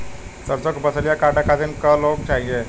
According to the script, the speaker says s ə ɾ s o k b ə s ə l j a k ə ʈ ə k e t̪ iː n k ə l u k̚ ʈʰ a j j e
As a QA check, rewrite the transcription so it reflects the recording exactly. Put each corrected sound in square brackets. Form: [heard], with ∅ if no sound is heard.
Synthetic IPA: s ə ɾ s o k b ə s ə l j a k [a] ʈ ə k [a] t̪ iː n k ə l [o] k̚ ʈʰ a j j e